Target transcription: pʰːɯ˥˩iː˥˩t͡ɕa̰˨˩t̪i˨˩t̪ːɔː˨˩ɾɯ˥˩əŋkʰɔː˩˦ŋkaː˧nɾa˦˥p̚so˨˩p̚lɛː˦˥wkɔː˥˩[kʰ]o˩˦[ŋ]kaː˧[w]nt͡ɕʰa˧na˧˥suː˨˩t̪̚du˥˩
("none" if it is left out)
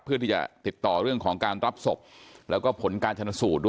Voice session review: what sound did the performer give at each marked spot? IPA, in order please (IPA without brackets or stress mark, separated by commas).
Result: pʰ, n, none